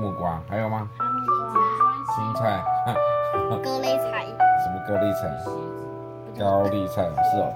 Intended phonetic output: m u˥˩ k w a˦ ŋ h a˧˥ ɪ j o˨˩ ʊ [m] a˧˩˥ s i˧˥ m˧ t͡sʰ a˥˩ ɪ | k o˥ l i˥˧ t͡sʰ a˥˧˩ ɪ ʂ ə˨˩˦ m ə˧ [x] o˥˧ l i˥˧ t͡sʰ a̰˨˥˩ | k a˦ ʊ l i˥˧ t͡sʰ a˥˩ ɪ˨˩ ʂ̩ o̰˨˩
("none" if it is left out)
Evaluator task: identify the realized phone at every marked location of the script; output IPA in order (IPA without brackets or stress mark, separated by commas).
m, k